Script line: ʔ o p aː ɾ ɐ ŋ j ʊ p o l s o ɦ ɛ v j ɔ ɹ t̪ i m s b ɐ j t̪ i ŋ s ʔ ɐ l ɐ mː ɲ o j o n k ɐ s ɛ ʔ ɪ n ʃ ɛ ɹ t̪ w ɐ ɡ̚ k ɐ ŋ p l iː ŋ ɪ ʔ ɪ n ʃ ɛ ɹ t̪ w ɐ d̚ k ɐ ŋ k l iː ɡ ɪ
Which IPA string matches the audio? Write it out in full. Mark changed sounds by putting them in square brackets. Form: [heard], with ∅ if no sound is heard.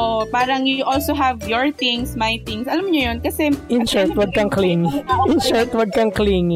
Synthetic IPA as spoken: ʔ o p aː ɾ ɐ ŋ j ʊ [ʔ] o l s o ɦ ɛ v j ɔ ɹ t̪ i [ŋ] s [m] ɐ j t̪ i ŋ s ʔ ɐ l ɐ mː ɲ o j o n k ɐ s ɛ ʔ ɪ n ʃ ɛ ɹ t̪ w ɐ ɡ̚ k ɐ ŋ [k] l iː ŋ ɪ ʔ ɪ n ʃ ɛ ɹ t̪ w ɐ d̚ k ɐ ŋ k l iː [ŋ] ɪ